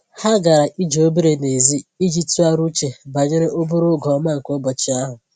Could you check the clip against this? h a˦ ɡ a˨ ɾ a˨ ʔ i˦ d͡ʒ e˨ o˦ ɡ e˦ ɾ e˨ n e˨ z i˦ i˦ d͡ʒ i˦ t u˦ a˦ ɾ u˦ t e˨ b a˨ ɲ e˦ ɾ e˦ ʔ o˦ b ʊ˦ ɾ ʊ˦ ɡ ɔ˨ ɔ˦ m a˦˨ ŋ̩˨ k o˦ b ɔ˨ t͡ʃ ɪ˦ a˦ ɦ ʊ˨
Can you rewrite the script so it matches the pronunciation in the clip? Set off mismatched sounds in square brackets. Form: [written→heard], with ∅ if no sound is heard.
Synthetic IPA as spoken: h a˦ ɡ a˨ ɾ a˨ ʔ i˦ d͡ʒ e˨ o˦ [ɡ→b] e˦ ɾ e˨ n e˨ z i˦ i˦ d͡ʒ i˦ t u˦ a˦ ɾ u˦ [t→t͡ʃ] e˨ b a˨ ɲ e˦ ɾ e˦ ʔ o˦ b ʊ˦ ɾ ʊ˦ ɡ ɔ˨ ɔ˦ m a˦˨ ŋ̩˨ k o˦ b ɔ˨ t͡ʃ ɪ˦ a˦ ɦ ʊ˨

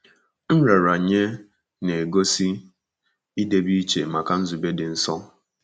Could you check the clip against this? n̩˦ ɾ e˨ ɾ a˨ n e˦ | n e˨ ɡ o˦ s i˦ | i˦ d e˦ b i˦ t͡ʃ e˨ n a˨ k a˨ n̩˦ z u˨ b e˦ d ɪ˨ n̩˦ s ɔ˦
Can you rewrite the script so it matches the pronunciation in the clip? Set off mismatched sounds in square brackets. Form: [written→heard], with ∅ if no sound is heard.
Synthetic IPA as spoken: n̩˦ ɾ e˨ ɾ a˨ [n→ɲ] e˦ | n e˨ ɡ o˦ s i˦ | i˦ d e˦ b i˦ t͡ʃ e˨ [n→m] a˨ k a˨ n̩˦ z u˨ b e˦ d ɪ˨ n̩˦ s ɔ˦

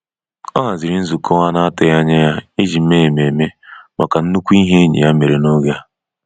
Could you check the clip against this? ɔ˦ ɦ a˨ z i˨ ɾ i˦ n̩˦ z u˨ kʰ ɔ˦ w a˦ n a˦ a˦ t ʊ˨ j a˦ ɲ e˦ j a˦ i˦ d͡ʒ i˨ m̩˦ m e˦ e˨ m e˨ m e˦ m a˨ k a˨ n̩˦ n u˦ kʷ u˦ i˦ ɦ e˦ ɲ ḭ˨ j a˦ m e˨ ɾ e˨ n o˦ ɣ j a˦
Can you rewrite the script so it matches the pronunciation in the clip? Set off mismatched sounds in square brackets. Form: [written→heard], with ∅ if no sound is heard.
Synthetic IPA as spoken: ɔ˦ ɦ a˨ z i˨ ɾ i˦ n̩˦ z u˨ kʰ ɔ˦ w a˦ n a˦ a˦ t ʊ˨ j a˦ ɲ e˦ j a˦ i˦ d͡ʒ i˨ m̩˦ m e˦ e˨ m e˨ m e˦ m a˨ k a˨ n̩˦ n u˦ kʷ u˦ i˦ ɦ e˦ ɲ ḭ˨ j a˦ m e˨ ɾ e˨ n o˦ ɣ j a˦

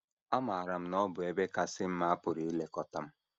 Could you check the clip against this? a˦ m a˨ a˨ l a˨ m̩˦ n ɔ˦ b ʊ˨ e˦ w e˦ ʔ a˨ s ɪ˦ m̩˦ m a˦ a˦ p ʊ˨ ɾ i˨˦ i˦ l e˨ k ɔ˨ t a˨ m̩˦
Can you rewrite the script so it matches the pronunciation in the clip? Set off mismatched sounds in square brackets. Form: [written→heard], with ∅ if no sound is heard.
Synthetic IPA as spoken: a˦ m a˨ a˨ [l→ɾ] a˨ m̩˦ n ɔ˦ b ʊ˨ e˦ [w→b] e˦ [ʔ→k] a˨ s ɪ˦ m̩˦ m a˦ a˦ p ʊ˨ ɾ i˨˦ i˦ l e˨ k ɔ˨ t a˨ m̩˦

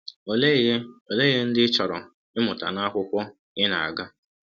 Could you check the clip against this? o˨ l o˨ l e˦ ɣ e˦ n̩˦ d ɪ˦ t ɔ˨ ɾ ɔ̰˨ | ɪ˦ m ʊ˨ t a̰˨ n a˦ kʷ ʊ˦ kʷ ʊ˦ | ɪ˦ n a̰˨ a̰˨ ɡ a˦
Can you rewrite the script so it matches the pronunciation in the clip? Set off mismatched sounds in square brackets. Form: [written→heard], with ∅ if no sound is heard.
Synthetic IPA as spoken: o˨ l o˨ l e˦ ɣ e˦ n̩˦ d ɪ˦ [t→t͡ʃ] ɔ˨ ɾ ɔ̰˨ | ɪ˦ m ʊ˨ t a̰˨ n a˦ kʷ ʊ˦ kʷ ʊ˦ | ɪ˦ n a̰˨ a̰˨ ɡ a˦

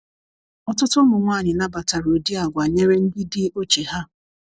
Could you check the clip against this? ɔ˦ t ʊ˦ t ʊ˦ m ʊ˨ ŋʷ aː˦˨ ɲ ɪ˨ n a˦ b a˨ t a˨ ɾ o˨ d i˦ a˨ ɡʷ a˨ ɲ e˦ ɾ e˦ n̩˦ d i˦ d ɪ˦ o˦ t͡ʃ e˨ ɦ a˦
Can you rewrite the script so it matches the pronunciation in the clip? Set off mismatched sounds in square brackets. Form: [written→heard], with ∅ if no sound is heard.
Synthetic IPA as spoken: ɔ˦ t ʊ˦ t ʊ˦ m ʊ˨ ŋʷ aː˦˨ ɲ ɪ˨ n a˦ b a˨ t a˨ ɾ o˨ d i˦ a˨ ɡʷ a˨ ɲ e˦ ɾ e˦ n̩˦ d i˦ d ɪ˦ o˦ t͡ʃ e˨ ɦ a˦

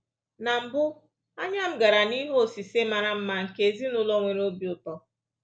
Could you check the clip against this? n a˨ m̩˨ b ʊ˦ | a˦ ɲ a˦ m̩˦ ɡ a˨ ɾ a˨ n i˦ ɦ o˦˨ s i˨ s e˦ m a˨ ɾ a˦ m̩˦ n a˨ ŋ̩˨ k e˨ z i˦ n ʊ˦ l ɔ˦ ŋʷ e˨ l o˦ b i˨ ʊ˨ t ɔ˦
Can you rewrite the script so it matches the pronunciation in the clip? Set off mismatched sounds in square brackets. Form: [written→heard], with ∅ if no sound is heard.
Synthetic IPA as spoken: n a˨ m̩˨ b ʊ˦ | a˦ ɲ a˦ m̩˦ ɡ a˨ ɾ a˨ n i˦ ɦ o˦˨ s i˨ s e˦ m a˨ ɾ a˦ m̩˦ [n→m] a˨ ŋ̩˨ k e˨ z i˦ n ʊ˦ l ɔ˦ ŋʷ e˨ [l→ɾ] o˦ b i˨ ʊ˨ t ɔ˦

